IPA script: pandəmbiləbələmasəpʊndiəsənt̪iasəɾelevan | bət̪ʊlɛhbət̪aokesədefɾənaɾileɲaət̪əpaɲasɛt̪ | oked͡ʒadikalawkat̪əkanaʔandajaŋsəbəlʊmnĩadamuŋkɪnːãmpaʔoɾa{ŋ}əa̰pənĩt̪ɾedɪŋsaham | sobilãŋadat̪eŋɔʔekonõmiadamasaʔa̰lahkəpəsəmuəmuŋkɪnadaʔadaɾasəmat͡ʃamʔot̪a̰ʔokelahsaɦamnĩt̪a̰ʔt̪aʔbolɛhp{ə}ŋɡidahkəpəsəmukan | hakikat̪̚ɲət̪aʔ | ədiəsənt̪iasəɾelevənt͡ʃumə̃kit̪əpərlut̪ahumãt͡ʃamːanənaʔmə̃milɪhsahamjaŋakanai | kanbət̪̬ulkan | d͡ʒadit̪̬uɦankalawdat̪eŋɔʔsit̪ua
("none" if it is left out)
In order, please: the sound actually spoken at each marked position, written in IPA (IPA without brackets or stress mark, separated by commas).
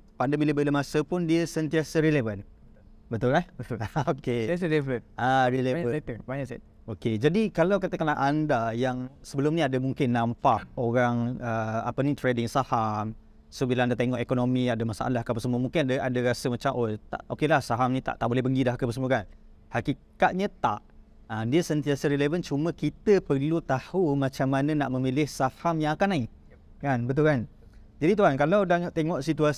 ŋ, ə